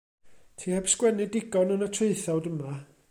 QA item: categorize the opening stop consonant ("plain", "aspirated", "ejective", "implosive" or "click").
aspirated